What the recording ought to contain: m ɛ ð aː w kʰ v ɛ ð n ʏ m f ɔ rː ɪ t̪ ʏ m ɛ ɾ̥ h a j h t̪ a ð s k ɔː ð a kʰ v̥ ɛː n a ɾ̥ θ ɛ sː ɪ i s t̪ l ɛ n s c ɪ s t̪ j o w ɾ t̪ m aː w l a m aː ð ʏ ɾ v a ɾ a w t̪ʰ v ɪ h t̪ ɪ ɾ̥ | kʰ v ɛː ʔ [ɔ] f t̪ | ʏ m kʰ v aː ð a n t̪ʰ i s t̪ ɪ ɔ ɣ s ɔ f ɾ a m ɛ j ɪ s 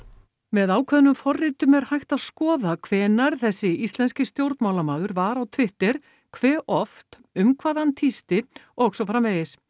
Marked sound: correct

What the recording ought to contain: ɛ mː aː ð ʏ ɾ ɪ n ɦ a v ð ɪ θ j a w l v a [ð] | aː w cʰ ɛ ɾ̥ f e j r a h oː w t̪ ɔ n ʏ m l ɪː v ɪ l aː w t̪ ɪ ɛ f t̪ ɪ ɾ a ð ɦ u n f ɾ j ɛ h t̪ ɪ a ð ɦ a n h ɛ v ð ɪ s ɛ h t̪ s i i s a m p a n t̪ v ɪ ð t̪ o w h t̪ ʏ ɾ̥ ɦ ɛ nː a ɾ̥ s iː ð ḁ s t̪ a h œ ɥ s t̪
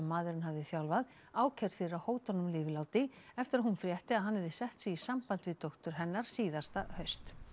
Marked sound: correct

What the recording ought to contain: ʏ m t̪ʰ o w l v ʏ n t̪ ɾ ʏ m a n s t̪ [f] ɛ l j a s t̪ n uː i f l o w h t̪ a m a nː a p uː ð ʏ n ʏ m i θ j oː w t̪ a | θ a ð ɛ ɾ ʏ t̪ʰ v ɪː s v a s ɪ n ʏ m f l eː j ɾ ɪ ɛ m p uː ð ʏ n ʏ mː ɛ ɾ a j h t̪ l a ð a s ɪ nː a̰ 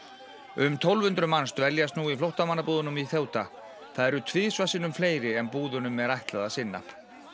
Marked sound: incorrect: v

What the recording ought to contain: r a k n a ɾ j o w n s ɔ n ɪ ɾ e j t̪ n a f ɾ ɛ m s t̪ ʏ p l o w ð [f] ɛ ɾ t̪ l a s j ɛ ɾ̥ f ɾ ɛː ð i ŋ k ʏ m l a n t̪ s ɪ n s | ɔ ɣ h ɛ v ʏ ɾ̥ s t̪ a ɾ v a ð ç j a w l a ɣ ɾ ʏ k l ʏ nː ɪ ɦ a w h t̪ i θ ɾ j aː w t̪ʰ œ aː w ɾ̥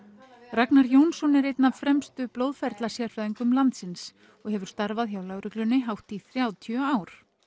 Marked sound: correct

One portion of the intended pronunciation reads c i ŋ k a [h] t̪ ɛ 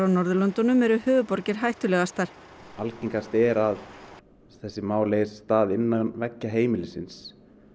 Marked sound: incorrect: s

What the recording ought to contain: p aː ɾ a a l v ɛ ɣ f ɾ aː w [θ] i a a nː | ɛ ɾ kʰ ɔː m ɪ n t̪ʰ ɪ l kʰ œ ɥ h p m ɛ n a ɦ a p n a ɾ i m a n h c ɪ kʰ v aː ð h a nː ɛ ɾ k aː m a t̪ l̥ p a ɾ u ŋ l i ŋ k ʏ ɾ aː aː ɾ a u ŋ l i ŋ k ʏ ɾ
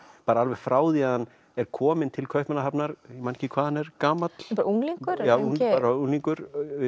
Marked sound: incorrect: ð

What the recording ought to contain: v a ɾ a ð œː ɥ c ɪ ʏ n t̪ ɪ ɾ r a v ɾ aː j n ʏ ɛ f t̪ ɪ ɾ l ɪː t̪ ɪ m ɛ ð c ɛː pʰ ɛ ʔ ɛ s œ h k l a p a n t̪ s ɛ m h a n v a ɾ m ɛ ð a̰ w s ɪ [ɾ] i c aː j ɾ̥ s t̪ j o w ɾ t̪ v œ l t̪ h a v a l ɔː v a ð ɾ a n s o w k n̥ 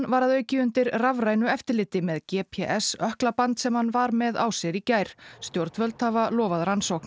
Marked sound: correct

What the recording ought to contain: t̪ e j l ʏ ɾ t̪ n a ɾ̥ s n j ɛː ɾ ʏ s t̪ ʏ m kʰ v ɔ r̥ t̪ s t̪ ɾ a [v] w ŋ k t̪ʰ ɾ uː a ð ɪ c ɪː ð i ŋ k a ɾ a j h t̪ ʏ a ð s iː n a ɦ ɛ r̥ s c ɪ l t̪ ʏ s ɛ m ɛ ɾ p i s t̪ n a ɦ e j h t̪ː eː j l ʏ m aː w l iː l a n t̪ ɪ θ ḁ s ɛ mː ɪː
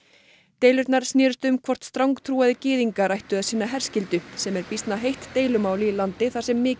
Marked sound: incorrect: none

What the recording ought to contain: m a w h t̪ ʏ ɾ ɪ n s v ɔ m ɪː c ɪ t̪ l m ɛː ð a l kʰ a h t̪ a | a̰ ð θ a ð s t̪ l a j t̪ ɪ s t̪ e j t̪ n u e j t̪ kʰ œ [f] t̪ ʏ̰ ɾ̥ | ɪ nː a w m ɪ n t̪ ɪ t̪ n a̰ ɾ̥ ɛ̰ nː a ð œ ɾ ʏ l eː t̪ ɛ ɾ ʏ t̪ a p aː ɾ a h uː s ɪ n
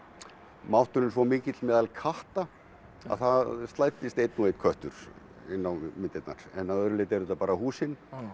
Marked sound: incorrect: h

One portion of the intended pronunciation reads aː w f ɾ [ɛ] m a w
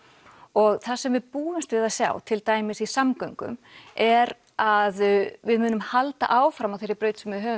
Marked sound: incorrect: a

